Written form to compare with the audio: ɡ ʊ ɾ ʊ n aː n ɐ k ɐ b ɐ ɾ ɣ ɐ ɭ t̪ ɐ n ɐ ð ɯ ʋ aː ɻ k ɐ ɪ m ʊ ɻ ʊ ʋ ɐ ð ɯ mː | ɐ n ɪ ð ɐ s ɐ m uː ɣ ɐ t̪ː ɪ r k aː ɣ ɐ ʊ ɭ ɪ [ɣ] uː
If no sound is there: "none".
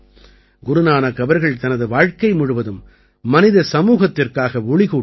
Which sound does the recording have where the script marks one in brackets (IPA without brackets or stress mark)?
ɣ